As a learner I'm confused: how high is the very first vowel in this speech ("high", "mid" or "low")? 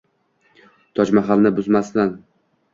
low